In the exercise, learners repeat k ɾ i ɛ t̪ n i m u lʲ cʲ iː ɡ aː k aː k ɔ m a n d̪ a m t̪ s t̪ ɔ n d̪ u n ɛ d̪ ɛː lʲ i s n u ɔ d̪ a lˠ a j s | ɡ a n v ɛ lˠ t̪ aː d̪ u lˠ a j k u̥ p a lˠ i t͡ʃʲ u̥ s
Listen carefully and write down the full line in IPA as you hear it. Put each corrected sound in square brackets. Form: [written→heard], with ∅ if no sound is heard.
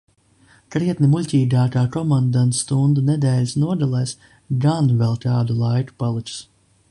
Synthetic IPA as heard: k ɾ i ɛ t̪ n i m u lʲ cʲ iː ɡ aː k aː k ɔ m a n d̪ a [m→n] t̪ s t̪ [ɔ→u] n d̪ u n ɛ d̪ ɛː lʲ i s n u ɔ d̪ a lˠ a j s | ɡ a n v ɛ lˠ t̪ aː d̪ u lˠ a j k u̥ p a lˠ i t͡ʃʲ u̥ s